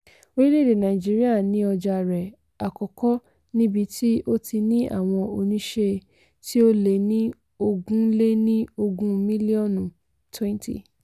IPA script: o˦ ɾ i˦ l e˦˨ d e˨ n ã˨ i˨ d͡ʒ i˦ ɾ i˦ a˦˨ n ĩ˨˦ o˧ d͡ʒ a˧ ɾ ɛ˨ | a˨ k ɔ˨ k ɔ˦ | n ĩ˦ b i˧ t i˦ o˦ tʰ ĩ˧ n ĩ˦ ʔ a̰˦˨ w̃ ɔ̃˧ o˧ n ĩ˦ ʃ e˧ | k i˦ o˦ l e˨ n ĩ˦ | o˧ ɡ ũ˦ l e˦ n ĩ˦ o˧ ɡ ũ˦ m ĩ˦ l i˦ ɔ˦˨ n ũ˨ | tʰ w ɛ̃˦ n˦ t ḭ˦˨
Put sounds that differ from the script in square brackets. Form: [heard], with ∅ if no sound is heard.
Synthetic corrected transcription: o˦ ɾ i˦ l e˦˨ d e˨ n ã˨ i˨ d͡ʒ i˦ ɾ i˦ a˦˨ n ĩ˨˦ [ɔ˧] d͡ʒ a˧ ɾ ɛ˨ | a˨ k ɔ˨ k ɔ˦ | n ĩ˦ b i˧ t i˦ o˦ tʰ [i˧] n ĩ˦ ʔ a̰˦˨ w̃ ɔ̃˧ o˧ n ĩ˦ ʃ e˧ | [t] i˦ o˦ l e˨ n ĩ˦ | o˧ ɡ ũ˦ l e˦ n ĩ˦ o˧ ɡ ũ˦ m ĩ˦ l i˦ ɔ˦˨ n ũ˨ | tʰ w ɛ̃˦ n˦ t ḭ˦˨